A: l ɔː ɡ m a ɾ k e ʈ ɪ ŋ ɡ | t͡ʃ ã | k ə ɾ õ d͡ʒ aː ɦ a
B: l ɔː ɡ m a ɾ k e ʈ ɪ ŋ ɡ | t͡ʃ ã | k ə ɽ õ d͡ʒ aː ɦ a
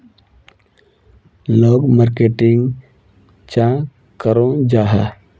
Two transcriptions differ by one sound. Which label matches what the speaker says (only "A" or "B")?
A